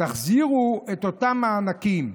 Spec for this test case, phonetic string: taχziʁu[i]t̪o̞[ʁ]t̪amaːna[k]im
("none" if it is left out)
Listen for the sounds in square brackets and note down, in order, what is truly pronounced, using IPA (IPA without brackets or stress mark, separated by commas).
e, none, k